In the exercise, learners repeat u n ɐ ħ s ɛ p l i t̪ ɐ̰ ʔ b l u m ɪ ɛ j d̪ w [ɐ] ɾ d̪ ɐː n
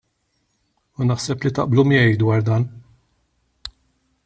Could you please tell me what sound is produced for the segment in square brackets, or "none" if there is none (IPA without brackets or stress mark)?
ɐː